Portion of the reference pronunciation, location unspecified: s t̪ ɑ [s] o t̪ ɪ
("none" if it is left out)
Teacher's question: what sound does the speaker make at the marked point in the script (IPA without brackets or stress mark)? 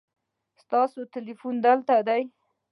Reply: s